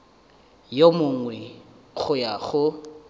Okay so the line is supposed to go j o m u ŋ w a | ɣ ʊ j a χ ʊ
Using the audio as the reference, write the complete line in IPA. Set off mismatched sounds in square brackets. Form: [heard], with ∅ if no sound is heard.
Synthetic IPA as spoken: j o m [ʊ] ŋ w [ɛ] | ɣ ʊ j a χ ʊ